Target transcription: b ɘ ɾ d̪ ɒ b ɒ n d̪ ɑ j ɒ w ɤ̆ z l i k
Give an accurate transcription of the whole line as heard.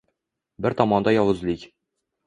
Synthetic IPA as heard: b ɘ ɾ t̪ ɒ m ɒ n d̪ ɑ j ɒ w ɤ̆ z l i k